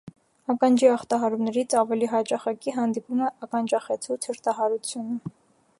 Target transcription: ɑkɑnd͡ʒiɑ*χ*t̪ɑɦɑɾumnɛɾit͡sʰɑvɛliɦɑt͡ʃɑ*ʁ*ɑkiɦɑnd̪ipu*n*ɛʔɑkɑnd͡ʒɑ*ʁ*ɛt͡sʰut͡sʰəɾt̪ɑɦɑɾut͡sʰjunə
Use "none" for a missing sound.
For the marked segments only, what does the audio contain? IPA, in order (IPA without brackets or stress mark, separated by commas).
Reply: χ, χ, m, χ